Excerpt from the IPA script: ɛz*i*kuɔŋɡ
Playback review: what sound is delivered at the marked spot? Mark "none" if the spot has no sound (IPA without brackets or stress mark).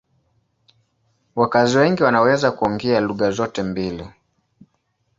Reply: a